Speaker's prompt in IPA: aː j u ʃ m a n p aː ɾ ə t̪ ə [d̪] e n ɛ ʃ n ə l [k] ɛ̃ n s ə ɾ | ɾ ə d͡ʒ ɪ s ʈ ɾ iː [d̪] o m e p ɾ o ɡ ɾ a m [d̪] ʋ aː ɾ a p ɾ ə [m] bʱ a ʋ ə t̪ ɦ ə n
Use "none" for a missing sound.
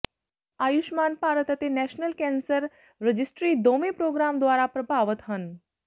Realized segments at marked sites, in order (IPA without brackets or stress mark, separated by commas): t̪, k, d̪, d̪, none